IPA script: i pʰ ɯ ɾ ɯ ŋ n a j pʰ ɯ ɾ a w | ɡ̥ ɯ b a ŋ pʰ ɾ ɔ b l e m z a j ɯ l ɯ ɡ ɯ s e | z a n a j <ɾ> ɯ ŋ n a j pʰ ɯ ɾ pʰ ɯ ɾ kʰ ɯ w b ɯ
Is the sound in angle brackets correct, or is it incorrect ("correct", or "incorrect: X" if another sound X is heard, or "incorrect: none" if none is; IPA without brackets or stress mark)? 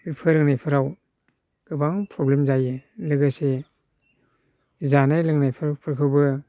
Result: incorrect: l